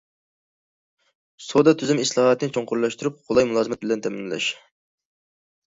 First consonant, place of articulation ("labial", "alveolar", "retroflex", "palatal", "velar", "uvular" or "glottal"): alveolar